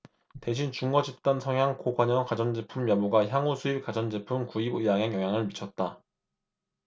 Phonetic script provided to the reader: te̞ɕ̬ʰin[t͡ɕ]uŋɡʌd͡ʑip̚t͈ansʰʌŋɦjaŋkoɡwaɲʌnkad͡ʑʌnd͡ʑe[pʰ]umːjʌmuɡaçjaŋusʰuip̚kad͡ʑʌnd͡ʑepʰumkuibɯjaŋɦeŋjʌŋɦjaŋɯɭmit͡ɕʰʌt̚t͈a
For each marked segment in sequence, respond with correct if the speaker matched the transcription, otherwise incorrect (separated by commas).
correct, correct